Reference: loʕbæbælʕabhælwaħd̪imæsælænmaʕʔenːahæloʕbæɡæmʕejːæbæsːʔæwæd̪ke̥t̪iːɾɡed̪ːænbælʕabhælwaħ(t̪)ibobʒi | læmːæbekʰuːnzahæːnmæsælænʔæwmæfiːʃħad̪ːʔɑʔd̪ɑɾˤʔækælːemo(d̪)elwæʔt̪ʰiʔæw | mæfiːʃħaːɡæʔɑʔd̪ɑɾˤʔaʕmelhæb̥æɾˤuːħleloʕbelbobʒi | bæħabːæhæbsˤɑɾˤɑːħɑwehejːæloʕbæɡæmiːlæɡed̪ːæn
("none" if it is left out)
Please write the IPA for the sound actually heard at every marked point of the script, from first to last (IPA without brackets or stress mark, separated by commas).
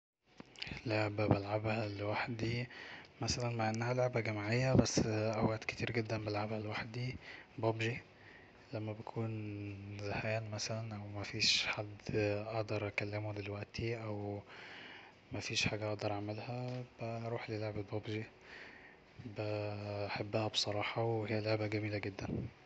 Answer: d̪, d̪